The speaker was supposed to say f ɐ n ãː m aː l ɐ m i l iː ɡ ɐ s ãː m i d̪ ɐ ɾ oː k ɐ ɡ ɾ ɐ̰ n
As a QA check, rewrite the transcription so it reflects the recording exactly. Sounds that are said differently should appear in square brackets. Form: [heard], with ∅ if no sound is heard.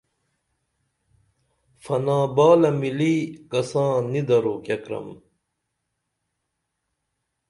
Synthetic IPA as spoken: f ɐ n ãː [b] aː l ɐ m i l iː [k] ɐ s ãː [n] i d̪ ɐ ɾ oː k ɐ [k] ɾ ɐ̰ [m]